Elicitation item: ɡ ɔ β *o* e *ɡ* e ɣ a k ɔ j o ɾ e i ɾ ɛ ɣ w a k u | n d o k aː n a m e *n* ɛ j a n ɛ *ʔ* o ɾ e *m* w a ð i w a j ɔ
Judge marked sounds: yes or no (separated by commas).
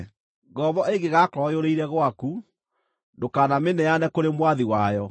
no, yes, yes, no, yes